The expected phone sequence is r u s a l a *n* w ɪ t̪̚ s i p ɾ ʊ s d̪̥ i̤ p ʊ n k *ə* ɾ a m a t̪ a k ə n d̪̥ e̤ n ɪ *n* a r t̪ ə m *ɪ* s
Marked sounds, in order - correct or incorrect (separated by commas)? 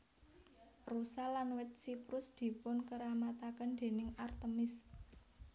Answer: correct, correct, incorrect, correct